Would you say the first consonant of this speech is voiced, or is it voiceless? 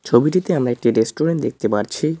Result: voiceless